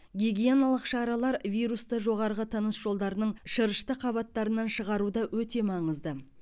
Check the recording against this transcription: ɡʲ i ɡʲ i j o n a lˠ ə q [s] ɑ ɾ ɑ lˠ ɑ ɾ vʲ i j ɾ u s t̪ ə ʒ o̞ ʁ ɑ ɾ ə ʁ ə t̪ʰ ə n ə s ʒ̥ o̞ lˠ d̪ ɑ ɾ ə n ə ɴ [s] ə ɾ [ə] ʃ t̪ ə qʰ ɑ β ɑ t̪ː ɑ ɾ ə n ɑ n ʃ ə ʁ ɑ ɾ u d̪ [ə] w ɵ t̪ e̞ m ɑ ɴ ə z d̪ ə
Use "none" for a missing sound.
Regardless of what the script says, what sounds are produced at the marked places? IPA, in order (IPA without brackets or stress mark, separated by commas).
ʃ, ʃ, ə, ɑ